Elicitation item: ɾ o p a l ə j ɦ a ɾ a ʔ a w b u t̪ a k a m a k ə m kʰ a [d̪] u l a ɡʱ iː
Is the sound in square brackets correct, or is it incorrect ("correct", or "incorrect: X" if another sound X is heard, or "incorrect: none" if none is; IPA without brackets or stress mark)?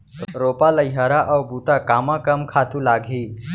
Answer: incorrect: t̪